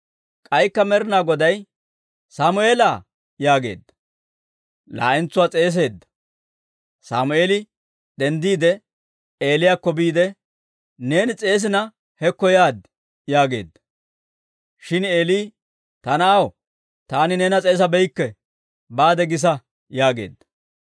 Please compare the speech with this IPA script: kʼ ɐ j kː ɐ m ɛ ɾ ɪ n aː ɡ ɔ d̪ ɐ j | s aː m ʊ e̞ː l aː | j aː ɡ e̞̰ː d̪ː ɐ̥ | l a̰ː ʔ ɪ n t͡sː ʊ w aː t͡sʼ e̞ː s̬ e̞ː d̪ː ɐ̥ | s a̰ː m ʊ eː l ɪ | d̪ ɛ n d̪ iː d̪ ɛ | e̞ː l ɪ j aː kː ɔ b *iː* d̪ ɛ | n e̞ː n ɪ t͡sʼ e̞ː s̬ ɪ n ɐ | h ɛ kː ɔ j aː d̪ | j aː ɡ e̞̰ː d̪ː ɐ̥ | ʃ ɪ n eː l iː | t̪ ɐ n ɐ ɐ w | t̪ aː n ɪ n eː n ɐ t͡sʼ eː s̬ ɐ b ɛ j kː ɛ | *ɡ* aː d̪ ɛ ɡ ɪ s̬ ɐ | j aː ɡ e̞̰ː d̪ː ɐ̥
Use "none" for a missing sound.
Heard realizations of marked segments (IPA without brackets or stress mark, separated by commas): iː, b